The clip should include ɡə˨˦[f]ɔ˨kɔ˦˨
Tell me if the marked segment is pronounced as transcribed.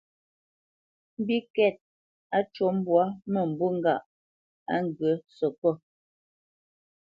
no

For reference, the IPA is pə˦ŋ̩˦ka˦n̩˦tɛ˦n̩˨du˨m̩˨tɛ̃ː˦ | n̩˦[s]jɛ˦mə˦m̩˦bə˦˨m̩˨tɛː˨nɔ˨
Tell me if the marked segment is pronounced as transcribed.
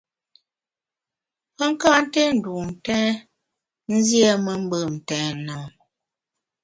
no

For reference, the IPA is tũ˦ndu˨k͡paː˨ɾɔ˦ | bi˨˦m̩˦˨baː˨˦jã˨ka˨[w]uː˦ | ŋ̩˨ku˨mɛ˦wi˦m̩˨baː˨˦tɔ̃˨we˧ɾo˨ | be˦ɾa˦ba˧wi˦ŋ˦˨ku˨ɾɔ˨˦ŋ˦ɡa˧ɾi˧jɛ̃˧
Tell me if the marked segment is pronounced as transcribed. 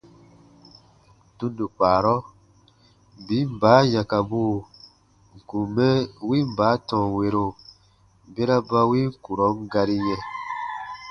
no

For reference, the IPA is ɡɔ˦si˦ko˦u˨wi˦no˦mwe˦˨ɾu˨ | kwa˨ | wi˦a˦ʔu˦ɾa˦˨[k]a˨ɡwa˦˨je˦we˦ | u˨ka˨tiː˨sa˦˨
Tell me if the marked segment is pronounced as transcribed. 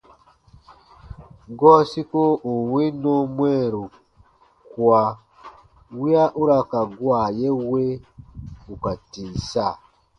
yes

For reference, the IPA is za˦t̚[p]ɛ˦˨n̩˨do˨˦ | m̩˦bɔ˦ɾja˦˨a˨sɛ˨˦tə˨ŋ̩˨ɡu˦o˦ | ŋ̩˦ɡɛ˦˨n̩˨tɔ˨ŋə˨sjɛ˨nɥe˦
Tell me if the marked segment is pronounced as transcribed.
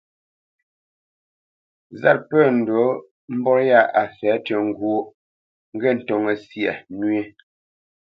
yes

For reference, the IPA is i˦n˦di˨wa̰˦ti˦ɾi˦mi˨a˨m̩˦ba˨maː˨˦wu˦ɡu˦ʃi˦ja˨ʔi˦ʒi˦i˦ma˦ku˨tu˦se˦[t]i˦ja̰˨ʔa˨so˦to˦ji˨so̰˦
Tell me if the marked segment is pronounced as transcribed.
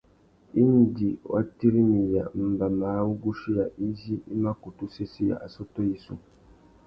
no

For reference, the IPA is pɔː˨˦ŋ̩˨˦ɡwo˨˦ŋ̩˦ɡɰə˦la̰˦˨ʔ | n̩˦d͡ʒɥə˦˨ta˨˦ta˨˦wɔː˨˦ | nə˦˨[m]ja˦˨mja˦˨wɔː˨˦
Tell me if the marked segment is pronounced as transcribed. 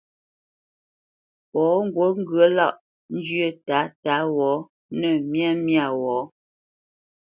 yes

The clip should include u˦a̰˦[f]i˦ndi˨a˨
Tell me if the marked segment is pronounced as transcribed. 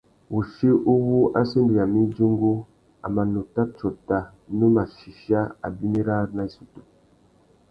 no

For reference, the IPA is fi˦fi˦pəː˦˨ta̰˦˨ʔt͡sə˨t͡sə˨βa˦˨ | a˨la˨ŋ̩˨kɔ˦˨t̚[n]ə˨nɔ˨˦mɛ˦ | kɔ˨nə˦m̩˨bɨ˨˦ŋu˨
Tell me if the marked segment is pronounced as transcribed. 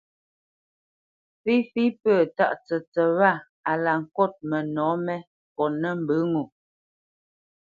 no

